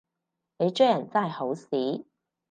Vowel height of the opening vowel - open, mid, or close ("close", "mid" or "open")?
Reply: mid